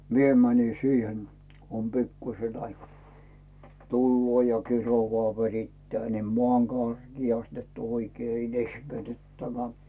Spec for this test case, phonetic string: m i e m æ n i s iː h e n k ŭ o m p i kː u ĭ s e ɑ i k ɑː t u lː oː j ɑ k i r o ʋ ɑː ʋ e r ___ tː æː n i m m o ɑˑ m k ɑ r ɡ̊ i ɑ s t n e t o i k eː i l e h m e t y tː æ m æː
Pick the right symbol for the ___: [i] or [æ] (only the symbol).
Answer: i